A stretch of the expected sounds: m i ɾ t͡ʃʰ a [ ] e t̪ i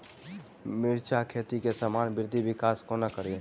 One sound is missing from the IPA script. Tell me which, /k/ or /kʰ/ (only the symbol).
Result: kʰ